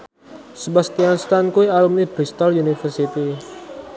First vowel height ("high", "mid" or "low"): mid